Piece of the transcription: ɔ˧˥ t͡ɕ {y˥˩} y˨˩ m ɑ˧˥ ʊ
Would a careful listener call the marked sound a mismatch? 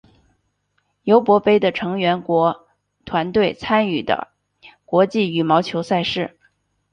yes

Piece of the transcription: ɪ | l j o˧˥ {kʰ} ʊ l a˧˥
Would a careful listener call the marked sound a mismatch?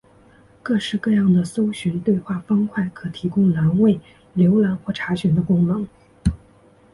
yes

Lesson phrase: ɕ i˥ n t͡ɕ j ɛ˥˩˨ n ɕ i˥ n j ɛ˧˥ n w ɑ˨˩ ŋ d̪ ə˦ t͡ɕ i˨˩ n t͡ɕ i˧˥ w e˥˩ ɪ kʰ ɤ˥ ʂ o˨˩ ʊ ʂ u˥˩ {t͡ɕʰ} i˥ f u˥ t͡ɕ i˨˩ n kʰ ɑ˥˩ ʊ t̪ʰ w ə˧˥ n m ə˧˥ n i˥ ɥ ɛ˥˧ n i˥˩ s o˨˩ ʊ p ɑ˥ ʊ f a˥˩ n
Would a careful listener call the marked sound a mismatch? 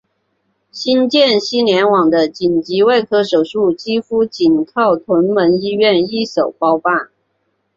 yes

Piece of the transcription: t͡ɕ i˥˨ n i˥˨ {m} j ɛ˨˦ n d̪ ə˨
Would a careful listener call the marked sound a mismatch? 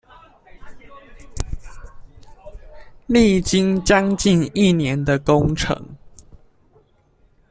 yes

